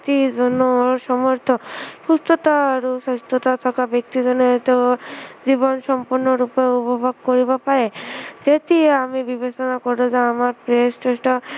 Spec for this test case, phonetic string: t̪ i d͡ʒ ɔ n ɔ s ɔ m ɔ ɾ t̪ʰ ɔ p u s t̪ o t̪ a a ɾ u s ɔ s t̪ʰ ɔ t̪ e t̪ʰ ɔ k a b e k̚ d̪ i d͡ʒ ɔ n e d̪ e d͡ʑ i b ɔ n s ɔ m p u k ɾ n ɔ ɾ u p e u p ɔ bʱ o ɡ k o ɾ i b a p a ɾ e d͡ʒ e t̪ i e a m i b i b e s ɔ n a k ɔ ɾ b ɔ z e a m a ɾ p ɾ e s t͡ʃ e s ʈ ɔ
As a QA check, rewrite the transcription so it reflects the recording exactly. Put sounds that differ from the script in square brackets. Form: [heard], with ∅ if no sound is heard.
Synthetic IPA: t̪ i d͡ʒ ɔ n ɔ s ɔ m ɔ ɾ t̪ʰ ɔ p u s t̪ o t̪ a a ɾ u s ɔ s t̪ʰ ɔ t̪ [a] t̪ʰ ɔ k a b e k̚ [t̪] i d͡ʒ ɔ n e [t̪] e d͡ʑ i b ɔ n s ɔ m p u [∅] ɾ n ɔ ɾ u p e u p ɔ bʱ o ɡ k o ɾ i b a p a ɾ e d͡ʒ e t̪ i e a m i b i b e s ɔ n a k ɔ ɾ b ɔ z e a m a ɾ p ɾ e s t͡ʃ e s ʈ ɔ